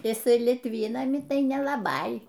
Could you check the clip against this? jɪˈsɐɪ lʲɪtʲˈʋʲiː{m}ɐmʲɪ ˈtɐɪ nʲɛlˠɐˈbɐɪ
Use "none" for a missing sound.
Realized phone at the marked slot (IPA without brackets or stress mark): n